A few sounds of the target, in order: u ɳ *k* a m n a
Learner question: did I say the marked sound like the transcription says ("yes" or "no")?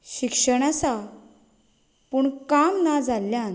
yes